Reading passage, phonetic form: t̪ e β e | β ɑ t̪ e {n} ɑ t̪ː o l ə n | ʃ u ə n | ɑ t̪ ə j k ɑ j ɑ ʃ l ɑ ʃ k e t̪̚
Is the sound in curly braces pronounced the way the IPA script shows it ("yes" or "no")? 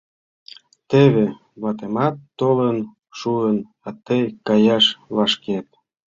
no